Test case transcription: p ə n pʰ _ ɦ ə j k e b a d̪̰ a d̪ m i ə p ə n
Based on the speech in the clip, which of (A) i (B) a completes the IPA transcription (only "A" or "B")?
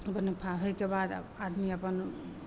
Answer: B